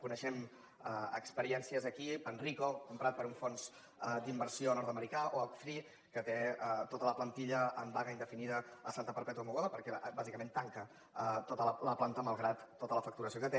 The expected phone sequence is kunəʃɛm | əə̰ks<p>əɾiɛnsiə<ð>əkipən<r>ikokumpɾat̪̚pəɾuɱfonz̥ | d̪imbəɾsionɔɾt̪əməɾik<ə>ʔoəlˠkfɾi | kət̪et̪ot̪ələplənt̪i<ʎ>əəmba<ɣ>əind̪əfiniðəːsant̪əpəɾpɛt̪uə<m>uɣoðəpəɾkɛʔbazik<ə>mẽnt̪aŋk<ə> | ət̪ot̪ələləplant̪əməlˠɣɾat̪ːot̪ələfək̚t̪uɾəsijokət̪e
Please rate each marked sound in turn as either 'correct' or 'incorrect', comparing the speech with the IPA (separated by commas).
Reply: correct, incorrect, correct, incorrect, correct, correct, correct, correct, correct